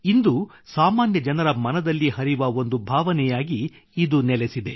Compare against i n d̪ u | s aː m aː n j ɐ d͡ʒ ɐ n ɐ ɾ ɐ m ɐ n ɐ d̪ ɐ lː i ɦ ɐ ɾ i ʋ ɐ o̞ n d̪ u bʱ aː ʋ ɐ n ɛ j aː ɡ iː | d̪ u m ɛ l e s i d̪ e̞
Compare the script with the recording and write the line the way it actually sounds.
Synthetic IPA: i n d̪ u | s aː m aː n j ɐ d͡ʒ ɐ n ɐ ɾ ɐ m ɐ n ɐ d̪ ɐ lː i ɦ ɐ ɾ i ʋ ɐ o̞ n d̪ u bʱ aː ʋ ɐ n ɛ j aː ɡ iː | d̪ u n ɛ l e s i d̪ e̞